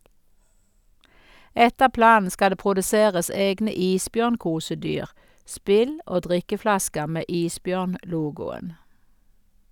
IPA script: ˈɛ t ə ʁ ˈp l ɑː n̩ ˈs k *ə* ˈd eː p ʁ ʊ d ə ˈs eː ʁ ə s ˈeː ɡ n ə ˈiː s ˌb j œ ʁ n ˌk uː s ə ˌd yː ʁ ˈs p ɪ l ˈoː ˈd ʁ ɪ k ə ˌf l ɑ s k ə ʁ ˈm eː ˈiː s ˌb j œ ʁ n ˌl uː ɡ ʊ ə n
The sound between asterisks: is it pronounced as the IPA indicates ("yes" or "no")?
no